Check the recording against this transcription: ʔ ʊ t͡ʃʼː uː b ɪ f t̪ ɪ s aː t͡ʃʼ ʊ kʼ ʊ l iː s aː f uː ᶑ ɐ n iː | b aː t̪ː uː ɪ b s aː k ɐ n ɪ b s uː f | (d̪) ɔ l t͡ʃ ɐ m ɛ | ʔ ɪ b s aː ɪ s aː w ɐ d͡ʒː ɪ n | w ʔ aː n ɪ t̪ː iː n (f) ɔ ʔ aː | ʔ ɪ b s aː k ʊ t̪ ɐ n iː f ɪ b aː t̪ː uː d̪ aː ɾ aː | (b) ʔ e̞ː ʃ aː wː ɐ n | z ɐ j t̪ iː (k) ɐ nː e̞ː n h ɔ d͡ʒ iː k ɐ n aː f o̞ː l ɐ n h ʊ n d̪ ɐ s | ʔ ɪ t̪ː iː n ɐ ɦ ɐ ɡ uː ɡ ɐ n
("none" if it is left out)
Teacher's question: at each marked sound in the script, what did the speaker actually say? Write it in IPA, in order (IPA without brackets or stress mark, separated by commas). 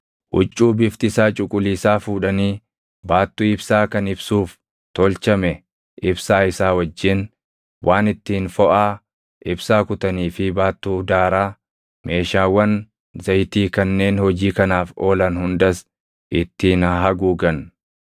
t̪, f, m, k